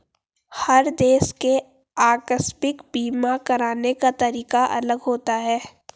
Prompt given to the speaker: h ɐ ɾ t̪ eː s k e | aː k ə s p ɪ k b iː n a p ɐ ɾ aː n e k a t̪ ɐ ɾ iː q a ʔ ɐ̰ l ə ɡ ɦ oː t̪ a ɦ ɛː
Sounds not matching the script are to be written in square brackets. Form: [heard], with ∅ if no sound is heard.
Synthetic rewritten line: h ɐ ɾ [d̪] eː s k e | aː k ə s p ɪ k b iː [m] a [k] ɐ ɾ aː n e k a t̪ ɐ ɾ iː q a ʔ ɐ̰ l ə ɡ ɦ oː t̪ a ɦ ɛː